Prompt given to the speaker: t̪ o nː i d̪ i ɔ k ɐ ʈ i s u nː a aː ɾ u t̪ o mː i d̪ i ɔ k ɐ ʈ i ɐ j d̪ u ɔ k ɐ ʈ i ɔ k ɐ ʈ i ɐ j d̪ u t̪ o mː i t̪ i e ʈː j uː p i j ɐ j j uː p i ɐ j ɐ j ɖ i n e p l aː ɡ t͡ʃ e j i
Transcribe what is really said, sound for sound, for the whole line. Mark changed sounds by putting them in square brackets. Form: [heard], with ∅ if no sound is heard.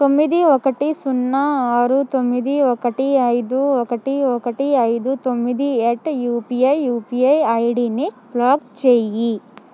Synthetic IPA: t̪ o [mː] i d̪ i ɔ k ɐ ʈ i s u nː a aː ɾ u t̪ o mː i d̪ i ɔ k ɐ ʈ i ɐ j d̪ u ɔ k ɐ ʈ i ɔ k ɐ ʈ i ɐ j d̪ u t̪ o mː i [d̪] i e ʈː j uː p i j ɐ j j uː p i ɐ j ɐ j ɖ i n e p l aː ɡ t͡ʃ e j i